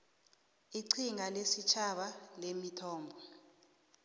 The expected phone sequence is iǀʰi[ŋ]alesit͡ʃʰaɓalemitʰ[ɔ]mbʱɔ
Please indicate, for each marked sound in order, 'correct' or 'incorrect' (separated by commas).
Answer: correct, incorrect